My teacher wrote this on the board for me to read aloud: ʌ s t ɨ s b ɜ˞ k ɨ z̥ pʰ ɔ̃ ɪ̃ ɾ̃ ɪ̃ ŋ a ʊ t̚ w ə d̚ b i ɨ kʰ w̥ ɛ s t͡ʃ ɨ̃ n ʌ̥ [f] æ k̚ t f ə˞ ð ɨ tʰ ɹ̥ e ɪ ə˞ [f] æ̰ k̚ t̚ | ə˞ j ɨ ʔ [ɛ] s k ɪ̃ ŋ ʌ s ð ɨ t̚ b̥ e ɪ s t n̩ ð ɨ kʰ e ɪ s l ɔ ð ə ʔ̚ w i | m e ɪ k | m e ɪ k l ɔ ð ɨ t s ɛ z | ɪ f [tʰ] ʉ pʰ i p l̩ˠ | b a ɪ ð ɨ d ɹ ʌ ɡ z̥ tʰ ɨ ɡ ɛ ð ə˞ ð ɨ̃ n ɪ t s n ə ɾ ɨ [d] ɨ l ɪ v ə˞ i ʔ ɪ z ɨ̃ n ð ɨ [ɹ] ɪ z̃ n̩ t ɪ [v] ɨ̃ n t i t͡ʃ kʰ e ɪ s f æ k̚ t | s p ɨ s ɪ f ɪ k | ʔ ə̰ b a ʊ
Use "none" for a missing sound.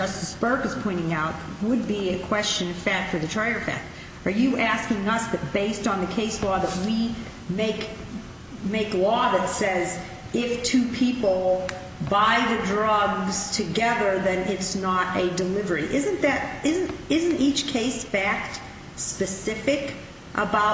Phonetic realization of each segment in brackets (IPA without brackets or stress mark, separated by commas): f, f, æ, tʰ, d, ɾ, z